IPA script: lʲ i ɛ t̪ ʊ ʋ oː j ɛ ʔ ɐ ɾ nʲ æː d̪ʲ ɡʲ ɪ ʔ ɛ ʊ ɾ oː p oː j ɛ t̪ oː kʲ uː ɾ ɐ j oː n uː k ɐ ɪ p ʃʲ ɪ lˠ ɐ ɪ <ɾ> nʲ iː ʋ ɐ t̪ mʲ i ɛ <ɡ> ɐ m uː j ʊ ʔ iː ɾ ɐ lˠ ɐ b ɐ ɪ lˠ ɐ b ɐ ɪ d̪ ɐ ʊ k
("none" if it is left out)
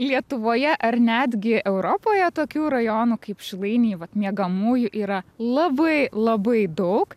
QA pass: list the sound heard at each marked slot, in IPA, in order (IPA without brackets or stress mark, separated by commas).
none, ɡ